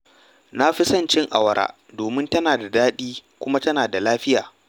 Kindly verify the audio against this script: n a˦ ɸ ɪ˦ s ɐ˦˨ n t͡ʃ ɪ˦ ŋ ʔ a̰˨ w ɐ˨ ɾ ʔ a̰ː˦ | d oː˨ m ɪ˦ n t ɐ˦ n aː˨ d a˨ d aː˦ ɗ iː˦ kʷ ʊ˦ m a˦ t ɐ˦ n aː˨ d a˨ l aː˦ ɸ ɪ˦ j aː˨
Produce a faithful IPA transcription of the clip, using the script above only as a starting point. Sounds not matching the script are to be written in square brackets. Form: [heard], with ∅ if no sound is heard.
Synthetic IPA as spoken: n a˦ ɸ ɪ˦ s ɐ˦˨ n t͡ʃ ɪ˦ ŋ ʔ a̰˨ w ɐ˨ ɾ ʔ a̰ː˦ | d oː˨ m ɪ˦ n t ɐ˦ n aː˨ d a˨ d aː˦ ɗ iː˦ kʷ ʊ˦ m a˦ t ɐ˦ n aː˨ d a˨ l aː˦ ɸ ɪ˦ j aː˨

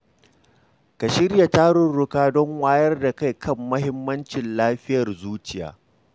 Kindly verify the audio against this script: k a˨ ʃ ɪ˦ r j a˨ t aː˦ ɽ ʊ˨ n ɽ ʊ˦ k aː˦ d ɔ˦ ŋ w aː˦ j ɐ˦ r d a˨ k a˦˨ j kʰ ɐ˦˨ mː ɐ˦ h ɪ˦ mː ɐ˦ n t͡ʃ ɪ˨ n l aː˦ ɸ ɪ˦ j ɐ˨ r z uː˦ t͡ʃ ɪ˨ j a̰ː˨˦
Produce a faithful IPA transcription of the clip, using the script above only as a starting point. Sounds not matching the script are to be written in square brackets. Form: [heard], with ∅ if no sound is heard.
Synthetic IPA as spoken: k a˨ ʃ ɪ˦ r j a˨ t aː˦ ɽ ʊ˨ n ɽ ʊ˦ k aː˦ d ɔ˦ ŋ w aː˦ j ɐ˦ r d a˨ k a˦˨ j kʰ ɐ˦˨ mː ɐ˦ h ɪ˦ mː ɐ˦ n t͡ʃ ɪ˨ n l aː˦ ɸ ɪ˦ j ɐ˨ r z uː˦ t͡ʃ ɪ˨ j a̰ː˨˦

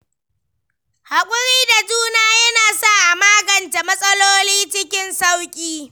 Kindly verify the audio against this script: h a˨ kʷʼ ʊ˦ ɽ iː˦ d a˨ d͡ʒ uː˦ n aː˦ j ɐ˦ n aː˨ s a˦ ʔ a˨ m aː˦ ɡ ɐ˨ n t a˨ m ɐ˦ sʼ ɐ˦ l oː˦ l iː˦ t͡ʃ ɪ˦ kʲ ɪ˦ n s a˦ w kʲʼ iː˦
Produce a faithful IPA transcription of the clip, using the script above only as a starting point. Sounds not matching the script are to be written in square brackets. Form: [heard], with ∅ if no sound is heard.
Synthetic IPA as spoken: h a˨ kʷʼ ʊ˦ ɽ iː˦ d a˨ d͡ʒ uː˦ n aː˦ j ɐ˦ n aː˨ s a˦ ʔ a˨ m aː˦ ɡ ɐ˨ n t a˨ m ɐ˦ sʼ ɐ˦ l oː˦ l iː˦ t͡ʃ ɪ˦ kʲ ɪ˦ n s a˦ w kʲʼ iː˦

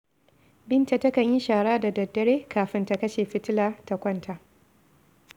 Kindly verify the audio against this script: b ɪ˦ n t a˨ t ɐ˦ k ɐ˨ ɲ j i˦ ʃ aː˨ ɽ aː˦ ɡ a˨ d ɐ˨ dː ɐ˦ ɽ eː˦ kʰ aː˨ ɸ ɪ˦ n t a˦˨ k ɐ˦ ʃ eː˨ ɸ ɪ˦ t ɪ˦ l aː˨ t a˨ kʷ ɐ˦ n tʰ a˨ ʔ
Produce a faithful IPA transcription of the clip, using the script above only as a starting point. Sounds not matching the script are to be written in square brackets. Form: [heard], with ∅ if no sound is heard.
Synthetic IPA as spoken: b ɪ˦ n t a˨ t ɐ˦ k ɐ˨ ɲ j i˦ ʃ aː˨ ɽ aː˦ [d] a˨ d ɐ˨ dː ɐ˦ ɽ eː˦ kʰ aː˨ ɸ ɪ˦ n t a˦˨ k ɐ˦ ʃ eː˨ ɸ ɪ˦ t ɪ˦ l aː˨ t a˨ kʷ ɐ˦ n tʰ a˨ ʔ

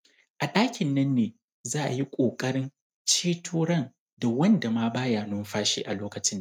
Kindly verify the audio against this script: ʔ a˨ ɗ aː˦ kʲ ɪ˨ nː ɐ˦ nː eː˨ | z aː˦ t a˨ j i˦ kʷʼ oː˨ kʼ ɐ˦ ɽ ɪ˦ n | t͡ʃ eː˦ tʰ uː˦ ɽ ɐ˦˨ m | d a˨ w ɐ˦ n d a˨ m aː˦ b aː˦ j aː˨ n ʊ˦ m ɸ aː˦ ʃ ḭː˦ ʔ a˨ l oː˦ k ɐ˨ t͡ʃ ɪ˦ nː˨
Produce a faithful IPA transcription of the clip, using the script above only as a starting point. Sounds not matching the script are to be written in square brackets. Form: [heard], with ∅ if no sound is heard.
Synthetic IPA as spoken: ʔ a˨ ɗ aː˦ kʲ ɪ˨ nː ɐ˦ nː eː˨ | z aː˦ [ʔ] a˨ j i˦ kʷʼ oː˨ kʼ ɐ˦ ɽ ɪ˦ n | t͡ʃ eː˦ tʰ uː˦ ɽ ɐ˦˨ [n] | d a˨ w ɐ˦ n d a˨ m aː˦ b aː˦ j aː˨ n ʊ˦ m ɸ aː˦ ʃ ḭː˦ ʔ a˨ l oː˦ k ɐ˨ t͡ʃ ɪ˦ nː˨

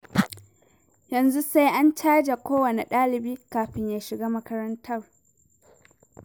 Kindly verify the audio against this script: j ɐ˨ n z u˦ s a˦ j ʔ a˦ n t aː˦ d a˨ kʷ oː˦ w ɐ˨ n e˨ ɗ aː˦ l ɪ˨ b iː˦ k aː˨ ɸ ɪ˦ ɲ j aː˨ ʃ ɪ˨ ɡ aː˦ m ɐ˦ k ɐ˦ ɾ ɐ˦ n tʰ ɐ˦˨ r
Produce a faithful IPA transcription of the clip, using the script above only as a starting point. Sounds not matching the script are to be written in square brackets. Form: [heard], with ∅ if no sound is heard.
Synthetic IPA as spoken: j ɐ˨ n z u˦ s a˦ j ʔ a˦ n [t͡ʃ] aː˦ [d͡ʒ] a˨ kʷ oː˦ w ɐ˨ n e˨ ɗ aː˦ l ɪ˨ b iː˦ k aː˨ ɸ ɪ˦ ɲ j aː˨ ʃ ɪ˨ ɡ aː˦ m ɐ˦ k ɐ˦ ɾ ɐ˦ n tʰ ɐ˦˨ r

